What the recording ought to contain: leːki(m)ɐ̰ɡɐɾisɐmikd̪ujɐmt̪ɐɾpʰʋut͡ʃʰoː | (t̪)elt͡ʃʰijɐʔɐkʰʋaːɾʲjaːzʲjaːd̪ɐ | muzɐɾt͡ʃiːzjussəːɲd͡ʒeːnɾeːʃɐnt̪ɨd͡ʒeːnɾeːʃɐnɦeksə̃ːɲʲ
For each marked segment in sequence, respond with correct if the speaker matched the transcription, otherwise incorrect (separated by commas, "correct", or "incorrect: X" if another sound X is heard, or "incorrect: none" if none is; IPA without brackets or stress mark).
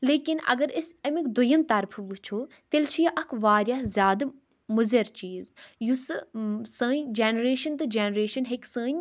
incorrect: n, correct